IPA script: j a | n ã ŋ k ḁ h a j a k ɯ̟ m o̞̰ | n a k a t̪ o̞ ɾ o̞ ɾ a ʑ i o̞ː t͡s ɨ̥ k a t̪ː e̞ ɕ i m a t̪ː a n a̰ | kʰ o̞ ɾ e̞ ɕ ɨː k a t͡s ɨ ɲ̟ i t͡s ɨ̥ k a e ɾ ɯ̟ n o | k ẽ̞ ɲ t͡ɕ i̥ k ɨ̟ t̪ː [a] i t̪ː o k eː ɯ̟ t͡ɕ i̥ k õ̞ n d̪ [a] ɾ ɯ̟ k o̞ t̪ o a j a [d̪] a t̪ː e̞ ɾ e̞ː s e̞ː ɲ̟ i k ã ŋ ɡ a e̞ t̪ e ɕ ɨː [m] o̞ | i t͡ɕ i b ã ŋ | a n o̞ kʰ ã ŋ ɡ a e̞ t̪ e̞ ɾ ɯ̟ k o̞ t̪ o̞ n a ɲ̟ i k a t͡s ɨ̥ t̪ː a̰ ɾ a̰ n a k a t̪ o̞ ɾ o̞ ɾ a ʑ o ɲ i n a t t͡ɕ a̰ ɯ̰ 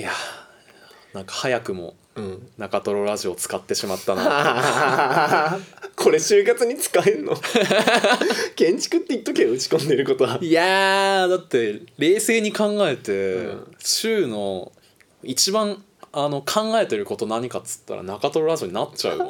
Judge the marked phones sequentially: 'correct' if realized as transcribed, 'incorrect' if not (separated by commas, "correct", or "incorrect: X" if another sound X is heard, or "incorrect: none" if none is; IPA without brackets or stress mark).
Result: incorrect: e, incorrect: e, correct, incorrect: n